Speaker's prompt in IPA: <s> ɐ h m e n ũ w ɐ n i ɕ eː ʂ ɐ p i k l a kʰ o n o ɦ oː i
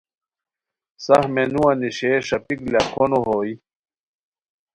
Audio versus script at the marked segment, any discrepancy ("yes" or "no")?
no